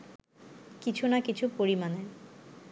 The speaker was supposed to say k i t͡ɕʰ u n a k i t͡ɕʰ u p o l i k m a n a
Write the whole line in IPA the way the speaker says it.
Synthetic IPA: k i t͡ɕʰ u n a k i t͡ɕʰ u p o ɾ i m a n e